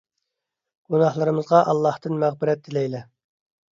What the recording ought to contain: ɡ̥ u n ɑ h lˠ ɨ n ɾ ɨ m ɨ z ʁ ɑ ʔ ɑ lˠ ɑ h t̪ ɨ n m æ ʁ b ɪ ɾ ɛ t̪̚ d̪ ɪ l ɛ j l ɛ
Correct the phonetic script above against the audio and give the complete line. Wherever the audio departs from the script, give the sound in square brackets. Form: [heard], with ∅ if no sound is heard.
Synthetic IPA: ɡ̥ u n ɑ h lˠ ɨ [∅] ɾ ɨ m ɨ z ʁ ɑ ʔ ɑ [lˠː] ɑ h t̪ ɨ n m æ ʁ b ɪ ɾ ɛ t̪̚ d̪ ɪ l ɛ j l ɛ